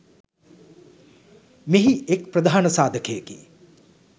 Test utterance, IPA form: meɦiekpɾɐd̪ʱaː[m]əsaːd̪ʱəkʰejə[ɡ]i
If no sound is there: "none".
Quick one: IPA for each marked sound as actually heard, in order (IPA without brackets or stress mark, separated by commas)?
n, k